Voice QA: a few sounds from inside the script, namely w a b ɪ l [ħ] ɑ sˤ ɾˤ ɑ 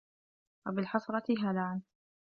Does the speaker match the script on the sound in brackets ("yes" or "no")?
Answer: yes